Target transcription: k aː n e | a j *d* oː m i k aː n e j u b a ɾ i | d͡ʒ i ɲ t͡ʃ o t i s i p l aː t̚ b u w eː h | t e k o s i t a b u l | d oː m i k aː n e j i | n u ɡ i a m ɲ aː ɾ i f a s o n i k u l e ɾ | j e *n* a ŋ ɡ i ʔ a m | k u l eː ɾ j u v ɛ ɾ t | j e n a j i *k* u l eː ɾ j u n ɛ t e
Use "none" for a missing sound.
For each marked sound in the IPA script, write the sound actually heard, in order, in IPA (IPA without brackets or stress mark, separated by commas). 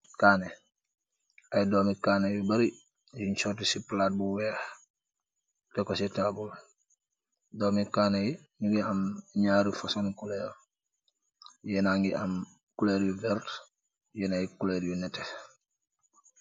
d, n, k